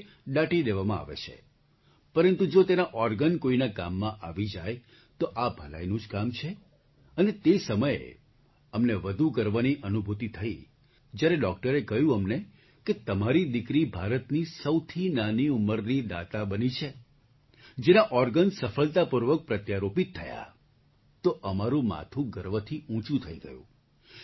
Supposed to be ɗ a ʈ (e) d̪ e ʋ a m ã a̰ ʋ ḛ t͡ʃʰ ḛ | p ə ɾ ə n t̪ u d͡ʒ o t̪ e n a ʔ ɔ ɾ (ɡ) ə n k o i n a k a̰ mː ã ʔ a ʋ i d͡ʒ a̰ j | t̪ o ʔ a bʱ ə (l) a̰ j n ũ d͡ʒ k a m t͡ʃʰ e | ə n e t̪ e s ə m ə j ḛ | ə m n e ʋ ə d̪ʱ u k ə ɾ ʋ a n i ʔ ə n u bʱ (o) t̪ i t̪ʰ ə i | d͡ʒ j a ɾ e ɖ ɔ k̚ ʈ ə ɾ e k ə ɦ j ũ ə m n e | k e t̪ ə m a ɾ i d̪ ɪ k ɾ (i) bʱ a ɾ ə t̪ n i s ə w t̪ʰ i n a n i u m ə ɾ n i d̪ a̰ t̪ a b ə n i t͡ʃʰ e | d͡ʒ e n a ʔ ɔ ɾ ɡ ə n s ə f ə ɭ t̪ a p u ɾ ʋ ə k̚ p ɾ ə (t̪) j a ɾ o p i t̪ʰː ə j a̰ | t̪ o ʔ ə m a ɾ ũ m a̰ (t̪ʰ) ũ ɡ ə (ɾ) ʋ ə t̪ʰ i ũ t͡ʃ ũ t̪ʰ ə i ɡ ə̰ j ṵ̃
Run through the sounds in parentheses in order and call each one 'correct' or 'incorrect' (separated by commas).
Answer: incorrect, correct, correct, incorrect, correct, correct, correct, correct